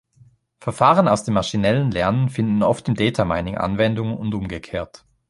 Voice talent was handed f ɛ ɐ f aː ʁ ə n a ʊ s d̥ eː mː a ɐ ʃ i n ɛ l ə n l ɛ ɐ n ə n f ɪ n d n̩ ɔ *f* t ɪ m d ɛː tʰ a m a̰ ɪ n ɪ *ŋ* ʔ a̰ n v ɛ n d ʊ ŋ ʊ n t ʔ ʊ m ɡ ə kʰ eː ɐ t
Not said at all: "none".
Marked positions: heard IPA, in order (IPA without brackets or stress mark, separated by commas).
f, ŋ